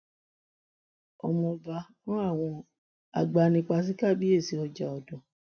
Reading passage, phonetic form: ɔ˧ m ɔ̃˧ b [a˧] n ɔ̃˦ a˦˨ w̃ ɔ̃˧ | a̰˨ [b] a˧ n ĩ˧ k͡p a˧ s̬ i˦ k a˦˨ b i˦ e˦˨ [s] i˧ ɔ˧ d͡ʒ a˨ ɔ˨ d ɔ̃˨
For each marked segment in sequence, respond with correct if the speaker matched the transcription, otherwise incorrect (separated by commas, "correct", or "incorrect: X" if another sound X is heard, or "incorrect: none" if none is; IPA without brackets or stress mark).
correct, incorrect: ɡ͡b, correct